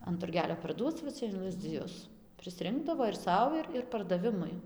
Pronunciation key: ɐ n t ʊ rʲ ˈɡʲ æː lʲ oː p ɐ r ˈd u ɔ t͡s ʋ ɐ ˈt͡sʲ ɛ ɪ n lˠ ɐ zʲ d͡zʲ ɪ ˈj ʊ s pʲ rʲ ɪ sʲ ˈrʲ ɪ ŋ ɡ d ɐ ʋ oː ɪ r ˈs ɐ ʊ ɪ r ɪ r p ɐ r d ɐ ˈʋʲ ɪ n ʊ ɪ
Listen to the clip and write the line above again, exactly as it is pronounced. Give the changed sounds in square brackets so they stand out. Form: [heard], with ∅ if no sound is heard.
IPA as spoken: ɐ n t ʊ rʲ ˈɡʲ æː lʲ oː p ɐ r ˈd u ɔ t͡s ʋ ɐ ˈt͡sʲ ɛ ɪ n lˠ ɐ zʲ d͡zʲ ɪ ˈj ʊ s pʲ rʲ ɪ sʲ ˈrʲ ɪ ŋ ɡ d ɐ ʋ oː ɪ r ˈs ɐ ʊ ɪ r ɪ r p ɐ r d ɐ ˈʋʲ ɪ [m] ʊ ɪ